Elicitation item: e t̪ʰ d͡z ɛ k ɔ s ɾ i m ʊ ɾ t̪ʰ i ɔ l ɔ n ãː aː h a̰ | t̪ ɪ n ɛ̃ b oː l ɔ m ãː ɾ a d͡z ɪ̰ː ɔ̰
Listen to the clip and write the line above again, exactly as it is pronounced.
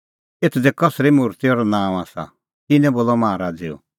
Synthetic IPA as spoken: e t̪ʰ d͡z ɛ k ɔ s ɾ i m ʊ ɾ t̪ i ɔ ɾ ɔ n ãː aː s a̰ | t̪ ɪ n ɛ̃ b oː l ɔ m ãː ɾ a d͡z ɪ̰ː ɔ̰